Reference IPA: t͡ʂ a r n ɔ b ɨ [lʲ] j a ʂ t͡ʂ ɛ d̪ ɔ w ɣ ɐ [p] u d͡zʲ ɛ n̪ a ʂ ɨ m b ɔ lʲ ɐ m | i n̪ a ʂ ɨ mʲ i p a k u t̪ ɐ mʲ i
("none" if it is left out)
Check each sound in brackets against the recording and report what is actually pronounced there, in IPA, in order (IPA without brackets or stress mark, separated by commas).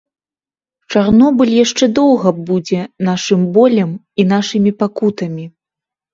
lʲ, b